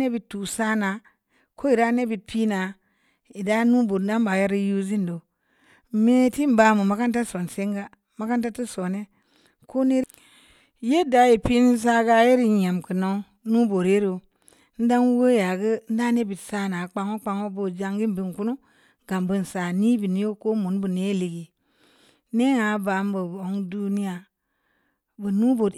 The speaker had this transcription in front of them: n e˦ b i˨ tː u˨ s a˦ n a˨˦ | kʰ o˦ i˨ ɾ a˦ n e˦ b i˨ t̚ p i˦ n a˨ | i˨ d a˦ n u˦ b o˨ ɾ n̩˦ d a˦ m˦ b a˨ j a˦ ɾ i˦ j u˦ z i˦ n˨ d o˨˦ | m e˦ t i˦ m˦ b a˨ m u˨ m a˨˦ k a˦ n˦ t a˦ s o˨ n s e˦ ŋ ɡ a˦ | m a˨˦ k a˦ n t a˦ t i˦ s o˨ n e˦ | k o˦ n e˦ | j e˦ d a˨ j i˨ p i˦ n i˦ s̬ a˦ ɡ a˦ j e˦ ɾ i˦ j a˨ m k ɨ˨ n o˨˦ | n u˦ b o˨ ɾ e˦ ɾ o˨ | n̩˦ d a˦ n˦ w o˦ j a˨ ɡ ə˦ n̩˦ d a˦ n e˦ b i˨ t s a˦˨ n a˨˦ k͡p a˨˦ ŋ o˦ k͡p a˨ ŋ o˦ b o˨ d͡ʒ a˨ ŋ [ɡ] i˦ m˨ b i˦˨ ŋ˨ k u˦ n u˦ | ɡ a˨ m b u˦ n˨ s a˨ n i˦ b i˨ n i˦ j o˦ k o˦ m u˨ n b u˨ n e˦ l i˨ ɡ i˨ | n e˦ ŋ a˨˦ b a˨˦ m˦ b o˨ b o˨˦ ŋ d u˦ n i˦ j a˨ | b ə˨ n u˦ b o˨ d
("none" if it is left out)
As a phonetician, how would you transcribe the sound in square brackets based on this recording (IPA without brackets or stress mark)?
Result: ɡ